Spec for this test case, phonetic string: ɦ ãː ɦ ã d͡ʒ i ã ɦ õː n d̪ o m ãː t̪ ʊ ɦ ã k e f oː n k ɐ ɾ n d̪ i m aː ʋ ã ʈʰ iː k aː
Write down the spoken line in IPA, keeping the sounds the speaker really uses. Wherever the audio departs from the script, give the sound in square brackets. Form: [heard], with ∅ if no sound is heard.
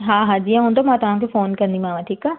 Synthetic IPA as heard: ɦ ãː ɦ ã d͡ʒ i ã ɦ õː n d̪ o m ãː t̪ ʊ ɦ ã k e f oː n k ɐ ɾ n d̪ i m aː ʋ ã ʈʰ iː k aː